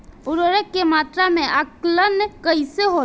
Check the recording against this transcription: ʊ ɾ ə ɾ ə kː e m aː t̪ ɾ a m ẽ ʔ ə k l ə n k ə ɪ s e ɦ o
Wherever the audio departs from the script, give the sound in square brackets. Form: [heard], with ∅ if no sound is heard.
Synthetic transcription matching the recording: ʊ ɾ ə ɾ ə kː e m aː t̪ ɾ a m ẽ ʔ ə k l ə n k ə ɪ s e ɦ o